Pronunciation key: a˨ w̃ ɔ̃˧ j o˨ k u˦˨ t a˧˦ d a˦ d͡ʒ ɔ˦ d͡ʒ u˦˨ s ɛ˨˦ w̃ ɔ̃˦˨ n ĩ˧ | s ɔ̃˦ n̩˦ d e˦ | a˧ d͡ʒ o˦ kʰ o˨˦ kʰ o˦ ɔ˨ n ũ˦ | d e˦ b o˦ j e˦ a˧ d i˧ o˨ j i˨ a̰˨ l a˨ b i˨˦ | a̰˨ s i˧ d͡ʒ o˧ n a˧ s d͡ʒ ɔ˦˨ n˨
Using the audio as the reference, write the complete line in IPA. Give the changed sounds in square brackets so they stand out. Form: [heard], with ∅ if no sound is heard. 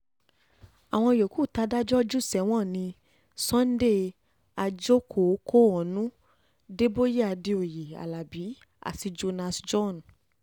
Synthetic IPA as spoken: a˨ w̃ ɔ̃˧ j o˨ k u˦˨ t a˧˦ d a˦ d͡ʒ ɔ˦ d͡ʒ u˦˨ s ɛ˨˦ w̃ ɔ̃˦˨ n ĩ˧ | s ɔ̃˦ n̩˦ d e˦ | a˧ d͡ʒ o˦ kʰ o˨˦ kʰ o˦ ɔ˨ n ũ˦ | d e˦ b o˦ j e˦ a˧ d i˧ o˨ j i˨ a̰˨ l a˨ b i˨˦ | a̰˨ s i˧ d͡ʒ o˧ n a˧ s d͡ʒ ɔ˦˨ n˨